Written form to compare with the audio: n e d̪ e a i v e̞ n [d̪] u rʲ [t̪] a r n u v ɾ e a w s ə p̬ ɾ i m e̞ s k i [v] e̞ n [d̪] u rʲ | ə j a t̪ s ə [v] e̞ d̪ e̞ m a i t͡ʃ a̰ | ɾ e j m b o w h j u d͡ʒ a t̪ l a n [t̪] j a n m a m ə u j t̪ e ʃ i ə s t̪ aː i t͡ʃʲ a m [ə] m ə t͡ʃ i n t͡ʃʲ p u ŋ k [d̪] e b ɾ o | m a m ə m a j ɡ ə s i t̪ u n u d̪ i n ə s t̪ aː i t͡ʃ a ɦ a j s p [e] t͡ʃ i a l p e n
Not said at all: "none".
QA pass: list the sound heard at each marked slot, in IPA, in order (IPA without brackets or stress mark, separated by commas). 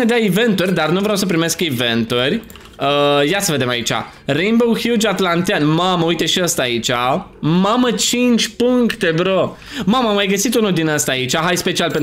t̪, d̪, v, t̪, v, t̪, a, t̪, e